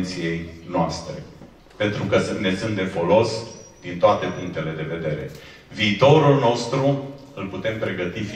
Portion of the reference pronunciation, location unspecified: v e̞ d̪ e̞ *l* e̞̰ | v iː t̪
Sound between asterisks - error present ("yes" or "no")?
yes